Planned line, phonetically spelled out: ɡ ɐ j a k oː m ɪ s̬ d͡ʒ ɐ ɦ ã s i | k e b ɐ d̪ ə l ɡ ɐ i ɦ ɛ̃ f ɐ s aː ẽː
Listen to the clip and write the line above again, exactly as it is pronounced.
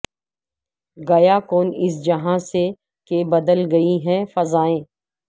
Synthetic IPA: ɡ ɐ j a k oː n ɪ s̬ d͡ʒ ɐ ɦ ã s e | k e b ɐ d̪ ə l ɡ ɐ i ɦ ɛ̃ f ɐ z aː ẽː

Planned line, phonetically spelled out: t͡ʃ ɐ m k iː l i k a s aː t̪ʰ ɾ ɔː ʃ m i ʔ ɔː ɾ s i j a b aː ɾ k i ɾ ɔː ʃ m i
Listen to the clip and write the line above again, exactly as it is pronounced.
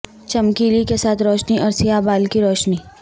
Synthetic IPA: t͡ʃ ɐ m k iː l i k e s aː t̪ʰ ɾ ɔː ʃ n i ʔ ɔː ɾ s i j a b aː l k i ɾ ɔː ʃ n i

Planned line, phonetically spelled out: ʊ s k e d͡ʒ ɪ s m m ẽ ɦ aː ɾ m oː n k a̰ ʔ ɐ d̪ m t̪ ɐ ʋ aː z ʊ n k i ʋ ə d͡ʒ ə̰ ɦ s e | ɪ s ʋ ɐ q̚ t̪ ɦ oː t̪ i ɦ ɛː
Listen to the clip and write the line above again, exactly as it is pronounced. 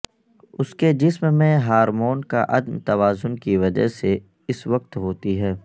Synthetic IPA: ʊ s k e d͡ʒ ɪ s m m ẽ ɦ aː ɾ m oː n k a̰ ʔ ɐ d̪ m t̪ ɐ ʋ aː z ʊ n k i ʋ ɐ d͡ʒ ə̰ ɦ s e | ɪ s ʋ ɐ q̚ t̪ ɦ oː t̪ i ɦ ɛː

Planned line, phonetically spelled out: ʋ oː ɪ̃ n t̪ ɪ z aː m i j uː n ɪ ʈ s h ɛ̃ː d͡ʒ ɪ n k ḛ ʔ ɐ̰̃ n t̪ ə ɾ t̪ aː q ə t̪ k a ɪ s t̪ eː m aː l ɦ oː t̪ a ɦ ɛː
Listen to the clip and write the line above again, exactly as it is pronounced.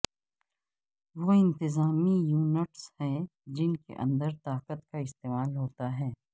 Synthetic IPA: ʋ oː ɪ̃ n t̪ ɪ z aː m i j uː n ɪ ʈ s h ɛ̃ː d͡ʒ ɪ n k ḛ ʔ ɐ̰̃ n d̪ ə ɾ t̪ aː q ə t̪ k a ɪ s t̪ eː m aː l ɦ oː t̪ a ɦ ɛː

